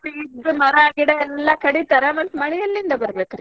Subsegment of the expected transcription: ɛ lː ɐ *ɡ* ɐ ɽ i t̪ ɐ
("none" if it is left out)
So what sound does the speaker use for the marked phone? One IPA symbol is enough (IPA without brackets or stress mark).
k